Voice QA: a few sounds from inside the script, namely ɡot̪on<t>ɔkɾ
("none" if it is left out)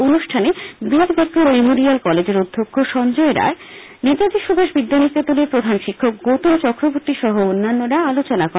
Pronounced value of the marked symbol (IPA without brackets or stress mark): t͡ɕ